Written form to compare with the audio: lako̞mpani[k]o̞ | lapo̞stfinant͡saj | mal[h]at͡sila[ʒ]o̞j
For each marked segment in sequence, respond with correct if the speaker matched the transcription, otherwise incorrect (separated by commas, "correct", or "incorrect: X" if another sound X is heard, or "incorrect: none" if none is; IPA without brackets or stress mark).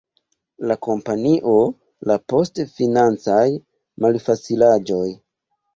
incorrect: ʔ, incorrect: f, incorrect: d͡ʒ